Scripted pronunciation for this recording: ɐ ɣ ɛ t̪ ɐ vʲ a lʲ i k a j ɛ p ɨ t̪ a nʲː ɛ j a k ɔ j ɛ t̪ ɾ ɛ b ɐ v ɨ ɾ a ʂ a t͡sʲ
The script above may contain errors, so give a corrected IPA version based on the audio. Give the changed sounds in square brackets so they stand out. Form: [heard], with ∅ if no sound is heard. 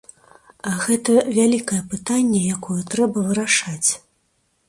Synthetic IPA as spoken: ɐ ɣ ɛ t̪ ɐ vʲ a lʲ i k [ɐ] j ɛ p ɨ t̪ a nʲː ɛ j a k ɔ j ɛ t̪ ɾ ɛ b ɐ v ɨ ɾ a ʂ a t͡sʲ

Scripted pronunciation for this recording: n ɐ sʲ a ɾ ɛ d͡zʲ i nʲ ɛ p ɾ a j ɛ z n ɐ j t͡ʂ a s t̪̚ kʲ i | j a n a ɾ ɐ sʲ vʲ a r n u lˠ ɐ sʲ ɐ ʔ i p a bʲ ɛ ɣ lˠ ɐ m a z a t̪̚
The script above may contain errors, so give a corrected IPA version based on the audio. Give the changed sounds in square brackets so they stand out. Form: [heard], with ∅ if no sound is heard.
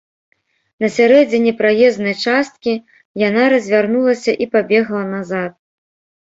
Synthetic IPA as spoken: n ɐ sʲ a ɾ ɛ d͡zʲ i nʲ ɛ p ɾ a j ɛ z n ɐ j t͡ʂ a s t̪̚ kʲ i | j a n a ɾ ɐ [zʲ] vʲ a r n u lˠ ɐ sʲ ɐ ʔ i p a bʲ ɛ ɣ lˠ ɐ [n] a z a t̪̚

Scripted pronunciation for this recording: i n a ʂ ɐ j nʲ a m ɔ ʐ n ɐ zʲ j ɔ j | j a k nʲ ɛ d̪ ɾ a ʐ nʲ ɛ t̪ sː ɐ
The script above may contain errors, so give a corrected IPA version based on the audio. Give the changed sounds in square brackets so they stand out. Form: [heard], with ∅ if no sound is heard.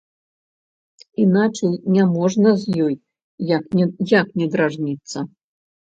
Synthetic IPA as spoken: i n a [t͡ʂ] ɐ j nʲ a m ɔ ʐ n ɐ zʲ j ɔ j | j a k nʲ ɛ d̪ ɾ a ʐ nʲ [i] t̪ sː ɐ

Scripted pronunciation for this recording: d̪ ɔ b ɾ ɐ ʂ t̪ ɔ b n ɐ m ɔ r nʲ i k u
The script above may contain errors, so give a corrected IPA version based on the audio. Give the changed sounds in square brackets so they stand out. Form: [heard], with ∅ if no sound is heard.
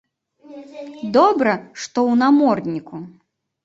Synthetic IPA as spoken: d̪ ɔ b ɾ ɐ ʂ t̪ ɔ [w] n [a] m ɔ r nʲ i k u

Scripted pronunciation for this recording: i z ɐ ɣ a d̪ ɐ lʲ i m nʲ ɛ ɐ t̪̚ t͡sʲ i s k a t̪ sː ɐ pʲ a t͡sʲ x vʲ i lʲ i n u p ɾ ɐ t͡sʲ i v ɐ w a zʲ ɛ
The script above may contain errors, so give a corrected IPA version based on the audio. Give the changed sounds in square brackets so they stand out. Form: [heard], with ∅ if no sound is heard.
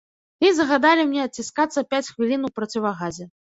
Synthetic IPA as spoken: i z ɐ ɣ a d̪ [a] lʲ i m nʲ ɛ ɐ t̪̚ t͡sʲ i s k a t̪ sː ɐ pʲ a t͡sʲ x vʲ i lʲ i n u p ɾ ɐ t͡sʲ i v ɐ [ɣ] a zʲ ɛ

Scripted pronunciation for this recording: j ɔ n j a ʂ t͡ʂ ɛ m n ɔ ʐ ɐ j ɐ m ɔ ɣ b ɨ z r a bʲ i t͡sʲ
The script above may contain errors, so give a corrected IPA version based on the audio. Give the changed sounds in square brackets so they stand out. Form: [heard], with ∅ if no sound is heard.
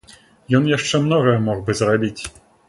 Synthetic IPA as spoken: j ɔ n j a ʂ t͡ʂ ɛ m n ɔ [ɣ] ɐ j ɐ m ɔ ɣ b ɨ z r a bʲ i t͡sʲ

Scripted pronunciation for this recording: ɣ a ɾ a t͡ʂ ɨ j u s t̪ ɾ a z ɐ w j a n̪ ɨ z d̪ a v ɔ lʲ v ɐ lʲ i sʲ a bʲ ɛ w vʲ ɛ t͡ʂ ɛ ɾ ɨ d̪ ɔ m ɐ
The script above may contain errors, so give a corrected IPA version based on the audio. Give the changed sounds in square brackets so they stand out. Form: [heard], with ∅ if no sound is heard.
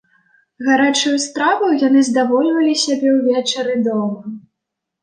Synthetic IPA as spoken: ɣ a ɾ a t͡ʂ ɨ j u s t̪ ɾ a [v] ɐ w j a n̪ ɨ z d̪ a v ɔ lʲ v ɐ lʲ i sʲ a bʲ ɛ w vʲ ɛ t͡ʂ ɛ ɾ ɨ d̪ ɔ m ɐ

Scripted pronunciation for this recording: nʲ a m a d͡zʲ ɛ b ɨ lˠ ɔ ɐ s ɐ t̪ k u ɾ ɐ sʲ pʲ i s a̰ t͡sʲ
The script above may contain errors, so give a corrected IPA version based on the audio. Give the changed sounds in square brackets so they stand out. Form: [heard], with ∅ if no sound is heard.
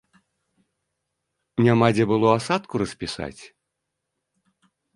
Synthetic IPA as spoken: nʲ a m a d͡zʲ ɛ b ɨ lˠ ɔ [a] s [a] t̪ k u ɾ ɐ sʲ pʲ i s a̰ t͡sʲ

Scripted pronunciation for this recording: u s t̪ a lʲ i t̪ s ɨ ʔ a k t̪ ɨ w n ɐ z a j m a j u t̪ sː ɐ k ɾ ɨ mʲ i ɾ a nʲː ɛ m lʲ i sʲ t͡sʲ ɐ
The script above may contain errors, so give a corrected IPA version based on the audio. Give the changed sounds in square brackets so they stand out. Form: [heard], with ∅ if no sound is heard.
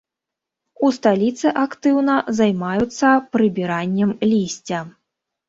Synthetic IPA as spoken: u s t̪ a lʲ i t̪ s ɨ ʔ a k t̪ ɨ w n ɐ z a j m a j u t̪ sː ɐ [p] ɾ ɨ [bʲ] i ɾ a nʲː ɛ m lʲ i sʲ t͡sʲ ɐ

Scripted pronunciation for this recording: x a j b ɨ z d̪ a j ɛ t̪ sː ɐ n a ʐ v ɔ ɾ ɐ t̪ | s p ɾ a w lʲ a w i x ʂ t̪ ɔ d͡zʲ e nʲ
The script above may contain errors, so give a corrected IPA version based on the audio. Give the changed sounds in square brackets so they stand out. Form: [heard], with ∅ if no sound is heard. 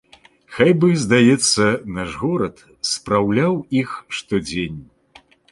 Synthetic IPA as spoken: x a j b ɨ z d̪ a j ɛ t̪ sː ɐ n a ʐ [ɣ] ɔ ɾ ɐ t̪ | s p ɾ a w lʲ a w i x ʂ t̪ ɔ d͡zʲ e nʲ

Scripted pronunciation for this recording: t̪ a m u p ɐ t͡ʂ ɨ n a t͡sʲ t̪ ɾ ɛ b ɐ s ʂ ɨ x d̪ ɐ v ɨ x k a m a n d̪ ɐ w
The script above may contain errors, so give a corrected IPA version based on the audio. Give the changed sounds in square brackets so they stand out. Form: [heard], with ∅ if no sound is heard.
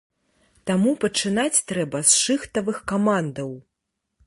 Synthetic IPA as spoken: t̪ a m u p ɐ t͡ʂ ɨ n a t͡sʲ t̪ ɾ ɛ b ɐ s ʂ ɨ x [t̪] ɐ v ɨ x k a m a n d̪ ɐ w

